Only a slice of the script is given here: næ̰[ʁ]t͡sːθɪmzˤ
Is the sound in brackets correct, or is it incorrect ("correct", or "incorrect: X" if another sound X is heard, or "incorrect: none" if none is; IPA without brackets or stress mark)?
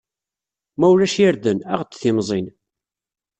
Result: correct